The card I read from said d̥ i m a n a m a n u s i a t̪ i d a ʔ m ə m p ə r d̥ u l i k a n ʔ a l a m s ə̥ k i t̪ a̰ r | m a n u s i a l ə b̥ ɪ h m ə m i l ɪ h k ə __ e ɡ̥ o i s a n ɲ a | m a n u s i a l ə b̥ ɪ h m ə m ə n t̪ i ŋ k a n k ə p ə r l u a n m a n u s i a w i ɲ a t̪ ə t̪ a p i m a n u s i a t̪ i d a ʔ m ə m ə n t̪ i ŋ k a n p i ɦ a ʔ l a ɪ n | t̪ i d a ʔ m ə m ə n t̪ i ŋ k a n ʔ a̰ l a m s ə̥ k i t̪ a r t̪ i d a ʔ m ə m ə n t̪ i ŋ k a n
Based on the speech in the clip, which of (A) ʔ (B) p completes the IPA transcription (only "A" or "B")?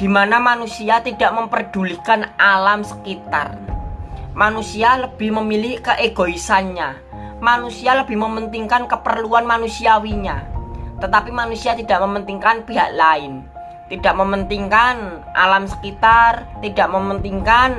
A